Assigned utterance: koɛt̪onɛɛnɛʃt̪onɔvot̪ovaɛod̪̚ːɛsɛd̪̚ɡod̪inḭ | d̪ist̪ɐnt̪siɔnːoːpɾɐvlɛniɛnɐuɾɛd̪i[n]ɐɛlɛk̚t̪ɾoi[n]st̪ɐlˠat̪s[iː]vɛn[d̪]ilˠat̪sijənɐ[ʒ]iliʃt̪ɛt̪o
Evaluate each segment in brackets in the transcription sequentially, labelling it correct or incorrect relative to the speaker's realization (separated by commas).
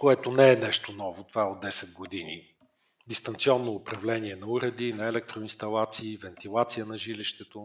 correct, correct, correct, incorrect, correct